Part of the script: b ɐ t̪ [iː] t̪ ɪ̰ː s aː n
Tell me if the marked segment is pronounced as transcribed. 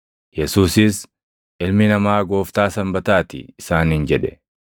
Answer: no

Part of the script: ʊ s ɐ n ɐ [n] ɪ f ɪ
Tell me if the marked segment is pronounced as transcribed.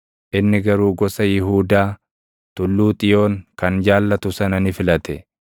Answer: yes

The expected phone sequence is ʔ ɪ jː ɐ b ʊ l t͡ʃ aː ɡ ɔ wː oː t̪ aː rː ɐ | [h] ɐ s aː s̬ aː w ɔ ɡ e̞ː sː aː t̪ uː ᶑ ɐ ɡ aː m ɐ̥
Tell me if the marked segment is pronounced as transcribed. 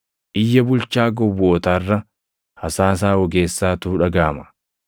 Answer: yes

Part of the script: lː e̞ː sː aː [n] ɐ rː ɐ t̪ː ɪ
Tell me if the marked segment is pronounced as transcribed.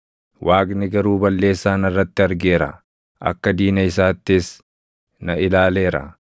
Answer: yes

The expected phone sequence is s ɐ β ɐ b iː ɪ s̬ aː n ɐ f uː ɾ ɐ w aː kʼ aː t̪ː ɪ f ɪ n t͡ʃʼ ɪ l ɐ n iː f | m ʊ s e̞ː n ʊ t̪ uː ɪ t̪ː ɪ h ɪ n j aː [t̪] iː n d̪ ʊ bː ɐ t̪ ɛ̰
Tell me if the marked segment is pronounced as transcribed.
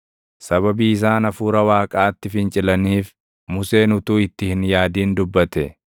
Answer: no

